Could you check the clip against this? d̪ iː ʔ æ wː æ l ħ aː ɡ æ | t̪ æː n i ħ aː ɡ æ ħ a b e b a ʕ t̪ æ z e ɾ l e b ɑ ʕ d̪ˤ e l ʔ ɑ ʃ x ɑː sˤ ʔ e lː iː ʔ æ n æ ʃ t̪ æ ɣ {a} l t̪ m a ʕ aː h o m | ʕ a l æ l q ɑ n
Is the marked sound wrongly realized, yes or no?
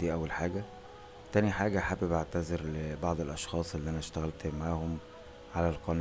yes